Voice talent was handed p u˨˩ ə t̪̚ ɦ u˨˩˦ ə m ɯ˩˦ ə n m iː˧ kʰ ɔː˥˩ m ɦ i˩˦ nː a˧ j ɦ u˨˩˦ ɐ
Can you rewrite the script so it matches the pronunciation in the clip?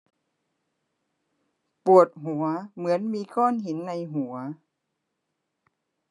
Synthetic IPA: p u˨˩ ə t̪̚ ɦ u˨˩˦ ɐ m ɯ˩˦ ə n m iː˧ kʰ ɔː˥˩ n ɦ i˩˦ nː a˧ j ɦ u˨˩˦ ɐ

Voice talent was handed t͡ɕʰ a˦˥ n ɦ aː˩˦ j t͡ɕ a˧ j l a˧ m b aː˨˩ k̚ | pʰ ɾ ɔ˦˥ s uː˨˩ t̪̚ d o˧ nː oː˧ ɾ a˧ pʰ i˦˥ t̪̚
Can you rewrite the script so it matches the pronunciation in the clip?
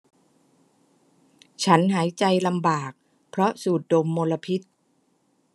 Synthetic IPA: t͡ɕʰ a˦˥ n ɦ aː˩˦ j t͡ɕ a˧ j l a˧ m b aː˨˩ k̚ | pʰ ɾ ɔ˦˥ s uː˨˩ t̪̚ d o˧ mː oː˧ l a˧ pʰ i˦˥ t̪̚

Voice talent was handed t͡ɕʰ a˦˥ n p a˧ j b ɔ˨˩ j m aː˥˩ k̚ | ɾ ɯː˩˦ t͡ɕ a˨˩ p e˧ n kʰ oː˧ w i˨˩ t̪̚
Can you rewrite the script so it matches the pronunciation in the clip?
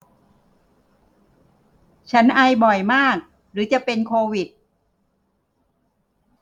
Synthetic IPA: t͡ɕʰ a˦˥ n ʔ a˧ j b ɔ˨˩ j m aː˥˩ k̚ | ɾ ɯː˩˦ t͡ɕ a˨˩ p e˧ n kʰ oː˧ w i˨˩ t̪̚

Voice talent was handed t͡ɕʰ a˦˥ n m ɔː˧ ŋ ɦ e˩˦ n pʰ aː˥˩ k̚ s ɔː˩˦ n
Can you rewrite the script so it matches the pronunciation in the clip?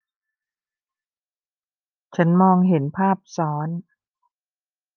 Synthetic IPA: t͡ɕʰ a˦˥ n m ɔː˧ ŋ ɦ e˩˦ n pʰ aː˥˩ p̚ s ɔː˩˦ n

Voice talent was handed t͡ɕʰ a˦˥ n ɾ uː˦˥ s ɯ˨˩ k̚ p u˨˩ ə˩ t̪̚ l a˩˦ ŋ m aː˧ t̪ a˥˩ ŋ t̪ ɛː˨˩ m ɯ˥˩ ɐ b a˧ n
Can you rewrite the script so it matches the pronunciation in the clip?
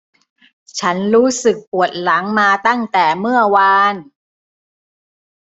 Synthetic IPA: t͡ɕʰ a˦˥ n ɾ uː˦˥ s ɯ˨˩ k̚ p u˨˩ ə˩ t̪̚ l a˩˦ ŋ m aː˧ t̪ a˥˩ ŋ t̪ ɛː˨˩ m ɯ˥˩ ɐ w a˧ n

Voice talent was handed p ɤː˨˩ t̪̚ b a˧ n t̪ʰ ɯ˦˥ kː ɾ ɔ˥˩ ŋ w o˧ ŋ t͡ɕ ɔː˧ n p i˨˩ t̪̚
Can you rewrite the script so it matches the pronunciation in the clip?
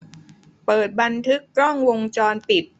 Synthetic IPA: p ɤː˨˩ t̪̚ b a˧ n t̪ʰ ɯ˦˥ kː ɾ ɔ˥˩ ŋ w o˧ ŋ t͡ɕ ɔː˧ n p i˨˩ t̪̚

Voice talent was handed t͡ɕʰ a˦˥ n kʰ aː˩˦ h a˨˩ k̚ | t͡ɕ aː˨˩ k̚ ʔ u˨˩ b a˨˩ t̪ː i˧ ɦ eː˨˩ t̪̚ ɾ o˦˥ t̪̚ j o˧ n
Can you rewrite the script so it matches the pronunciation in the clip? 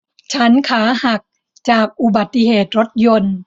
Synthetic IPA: t͡ɕʰ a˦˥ n kʰ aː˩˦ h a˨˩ k̚ | t͡ɕ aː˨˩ k̚ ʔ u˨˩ b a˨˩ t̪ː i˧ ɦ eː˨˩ t̪̚ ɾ o˦˥ t̪̚ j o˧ n

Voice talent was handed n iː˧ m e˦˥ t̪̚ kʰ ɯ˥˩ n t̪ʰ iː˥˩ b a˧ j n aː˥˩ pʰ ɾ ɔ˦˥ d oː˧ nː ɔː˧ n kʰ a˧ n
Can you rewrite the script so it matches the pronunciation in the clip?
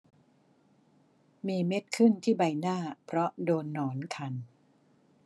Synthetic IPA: m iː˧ m e˦˥ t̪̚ kʰ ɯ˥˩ n t̪ʰ iː˥˩ b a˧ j n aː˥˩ pʰ ɾ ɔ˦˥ d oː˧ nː ɔː˩˦ n kʰ a˧ n

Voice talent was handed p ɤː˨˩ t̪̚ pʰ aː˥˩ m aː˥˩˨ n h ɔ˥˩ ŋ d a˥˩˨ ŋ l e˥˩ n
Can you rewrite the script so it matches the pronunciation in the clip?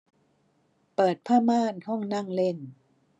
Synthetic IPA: p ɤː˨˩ t̪̚ pʰ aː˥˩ m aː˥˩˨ n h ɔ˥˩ ŋ n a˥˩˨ ŋ l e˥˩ n

